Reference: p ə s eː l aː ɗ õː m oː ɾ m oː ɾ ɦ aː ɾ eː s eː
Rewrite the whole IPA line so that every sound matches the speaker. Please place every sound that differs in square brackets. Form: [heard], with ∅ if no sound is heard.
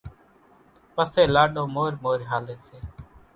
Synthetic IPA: p ə s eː l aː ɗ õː m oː ɾ m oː ɾ ɦ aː [l] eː s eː